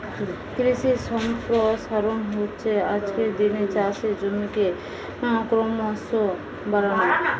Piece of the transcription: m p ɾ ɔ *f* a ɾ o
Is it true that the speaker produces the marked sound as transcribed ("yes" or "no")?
no